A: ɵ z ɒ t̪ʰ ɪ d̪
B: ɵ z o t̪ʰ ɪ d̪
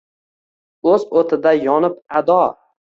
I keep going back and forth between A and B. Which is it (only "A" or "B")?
B